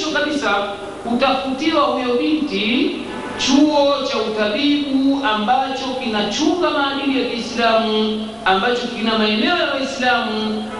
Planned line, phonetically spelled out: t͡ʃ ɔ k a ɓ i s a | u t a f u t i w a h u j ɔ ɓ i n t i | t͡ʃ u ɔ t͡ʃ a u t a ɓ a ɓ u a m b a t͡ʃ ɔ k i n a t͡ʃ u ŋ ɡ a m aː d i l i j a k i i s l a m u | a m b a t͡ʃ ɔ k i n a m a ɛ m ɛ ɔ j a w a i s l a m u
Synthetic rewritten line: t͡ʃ ɔ k a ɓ i s a | u t a f u t i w a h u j ɔ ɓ i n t i | t͡ʃ u ɔ t͡ʃ a u t a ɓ i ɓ u a m b a t͡ʃ ɔ k i n a t͡ʃ u ŋ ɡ a m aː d i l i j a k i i s l a m u | a m b a t͡ʃ ɔ k i n a m a ɛ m ɛ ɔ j a w a i s l a m u